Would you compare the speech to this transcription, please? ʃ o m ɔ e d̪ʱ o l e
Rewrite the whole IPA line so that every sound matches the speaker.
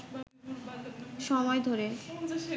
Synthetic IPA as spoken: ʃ ɔ m ɔ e d̪ʱ o ɾ e